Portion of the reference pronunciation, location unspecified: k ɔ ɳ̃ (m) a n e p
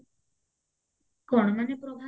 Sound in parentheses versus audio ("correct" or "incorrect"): correct